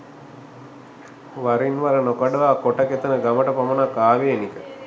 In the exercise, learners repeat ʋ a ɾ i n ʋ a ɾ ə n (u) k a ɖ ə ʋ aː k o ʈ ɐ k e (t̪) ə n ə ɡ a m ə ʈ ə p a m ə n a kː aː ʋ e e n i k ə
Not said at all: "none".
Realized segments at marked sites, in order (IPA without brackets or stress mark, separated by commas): o, t̪